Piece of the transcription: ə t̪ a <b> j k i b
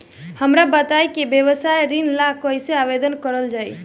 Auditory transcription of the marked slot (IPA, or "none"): none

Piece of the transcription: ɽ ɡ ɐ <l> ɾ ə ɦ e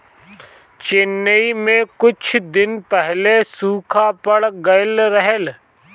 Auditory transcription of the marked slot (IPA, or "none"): l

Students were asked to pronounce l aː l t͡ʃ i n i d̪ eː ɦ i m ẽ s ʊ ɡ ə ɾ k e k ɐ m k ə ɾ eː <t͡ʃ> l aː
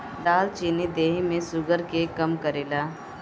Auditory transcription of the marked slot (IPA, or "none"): none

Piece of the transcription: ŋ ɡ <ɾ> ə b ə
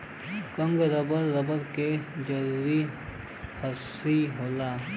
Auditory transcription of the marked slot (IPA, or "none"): ɾ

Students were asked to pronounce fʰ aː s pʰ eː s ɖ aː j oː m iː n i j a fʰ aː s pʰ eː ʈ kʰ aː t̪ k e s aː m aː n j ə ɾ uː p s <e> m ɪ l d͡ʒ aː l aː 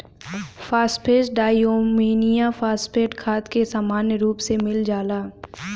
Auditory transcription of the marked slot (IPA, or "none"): e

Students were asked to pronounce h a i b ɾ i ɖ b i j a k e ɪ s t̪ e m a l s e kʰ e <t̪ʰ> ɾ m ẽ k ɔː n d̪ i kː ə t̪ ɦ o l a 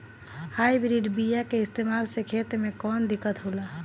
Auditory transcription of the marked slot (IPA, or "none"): t̪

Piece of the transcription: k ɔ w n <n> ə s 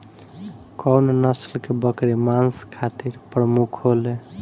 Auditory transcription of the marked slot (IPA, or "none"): n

